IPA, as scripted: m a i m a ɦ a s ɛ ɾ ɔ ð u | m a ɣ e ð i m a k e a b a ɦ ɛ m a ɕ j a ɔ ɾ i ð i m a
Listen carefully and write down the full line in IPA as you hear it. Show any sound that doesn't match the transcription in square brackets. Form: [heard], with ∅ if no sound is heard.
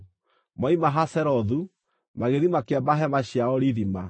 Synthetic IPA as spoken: m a i m a ɦ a s ɛ ɾ ɔ ð u | m a ɣ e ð i m a k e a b a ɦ ɛ m a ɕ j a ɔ ɾ i ð i m a